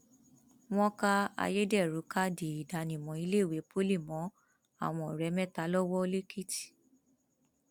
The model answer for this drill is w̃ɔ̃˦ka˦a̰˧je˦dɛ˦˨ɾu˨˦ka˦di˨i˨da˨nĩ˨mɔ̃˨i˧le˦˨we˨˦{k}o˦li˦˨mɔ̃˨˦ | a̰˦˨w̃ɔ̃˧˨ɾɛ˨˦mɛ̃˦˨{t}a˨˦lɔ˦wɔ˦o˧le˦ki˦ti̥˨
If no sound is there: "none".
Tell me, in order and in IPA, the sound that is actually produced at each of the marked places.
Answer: p, t

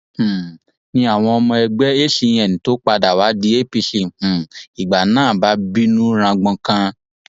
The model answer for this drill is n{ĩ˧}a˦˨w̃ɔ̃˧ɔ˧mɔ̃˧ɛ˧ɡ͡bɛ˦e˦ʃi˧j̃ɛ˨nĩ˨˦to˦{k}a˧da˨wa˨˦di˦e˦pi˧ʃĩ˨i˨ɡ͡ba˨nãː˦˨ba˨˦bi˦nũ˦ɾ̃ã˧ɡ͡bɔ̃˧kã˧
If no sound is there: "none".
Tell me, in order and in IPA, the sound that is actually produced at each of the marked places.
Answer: ĩ˧, k͡p

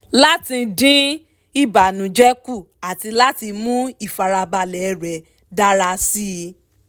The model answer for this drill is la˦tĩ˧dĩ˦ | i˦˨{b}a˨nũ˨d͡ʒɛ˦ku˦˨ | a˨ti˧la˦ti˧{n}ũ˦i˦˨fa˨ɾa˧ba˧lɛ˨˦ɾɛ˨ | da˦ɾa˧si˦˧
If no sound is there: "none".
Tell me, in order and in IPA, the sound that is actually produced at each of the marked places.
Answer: b, m

